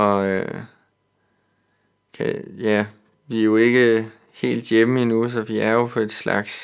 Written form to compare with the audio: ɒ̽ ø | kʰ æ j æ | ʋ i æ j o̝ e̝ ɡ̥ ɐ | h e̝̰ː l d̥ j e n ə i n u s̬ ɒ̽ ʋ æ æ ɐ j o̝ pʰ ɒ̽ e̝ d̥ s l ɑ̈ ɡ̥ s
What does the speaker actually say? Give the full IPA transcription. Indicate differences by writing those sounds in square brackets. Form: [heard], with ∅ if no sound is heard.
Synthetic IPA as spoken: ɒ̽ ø | kʰ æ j æ | ʋ i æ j o̝ e̝ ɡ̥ [ə] | h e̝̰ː l d̥ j e [m] ə i n u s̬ ɒ̽ ʋ [i] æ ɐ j o̝ pʰ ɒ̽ e̝ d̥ s l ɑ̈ ɡ̥ s